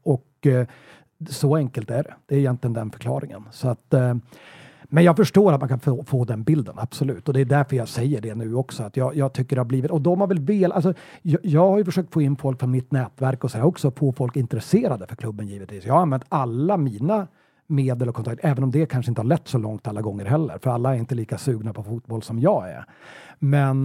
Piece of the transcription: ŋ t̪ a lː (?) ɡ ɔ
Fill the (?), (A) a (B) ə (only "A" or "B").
A